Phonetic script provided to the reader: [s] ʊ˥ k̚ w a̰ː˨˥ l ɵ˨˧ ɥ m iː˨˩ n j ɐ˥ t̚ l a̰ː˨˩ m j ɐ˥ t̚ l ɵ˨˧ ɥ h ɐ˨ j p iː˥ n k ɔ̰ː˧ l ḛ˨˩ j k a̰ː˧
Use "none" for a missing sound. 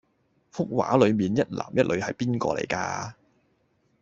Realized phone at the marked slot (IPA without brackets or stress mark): f